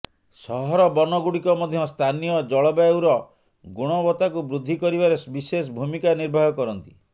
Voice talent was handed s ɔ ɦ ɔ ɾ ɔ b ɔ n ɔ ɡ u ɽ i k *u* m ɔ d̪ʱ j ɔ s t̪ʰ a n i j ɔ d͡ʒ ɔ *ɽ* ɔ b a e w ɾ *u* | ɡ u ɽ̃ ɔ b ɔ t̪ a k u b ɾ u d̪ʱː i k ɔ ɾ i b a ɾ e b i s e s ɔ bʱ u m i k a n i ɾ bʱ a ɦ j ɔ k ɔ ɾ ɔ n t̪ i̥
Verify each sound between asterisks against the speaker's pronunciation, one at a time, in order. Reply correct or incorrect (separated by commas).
incorrect, incorrect, incorrect